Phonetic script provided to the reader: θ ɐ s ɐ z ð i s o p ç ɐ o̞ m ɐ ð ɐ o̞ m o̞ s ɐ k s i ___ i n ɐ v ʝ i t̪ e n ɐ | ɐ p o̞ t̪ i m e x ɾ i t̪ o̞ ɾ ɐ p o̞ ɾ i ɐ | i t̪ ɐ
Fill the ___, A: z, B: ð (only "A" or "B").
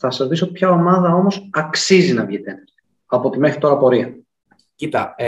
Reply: A